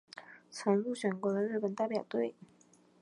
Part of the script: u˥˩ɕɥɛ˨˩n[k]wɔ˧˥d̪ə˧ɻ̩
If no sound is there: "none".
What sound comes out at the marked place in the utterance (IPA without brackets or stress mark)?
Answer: k